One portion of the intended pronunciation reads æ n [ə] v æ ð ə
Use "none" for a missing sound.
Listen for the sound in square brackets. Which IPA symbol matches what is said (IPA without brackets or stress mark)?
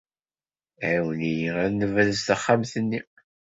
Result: ə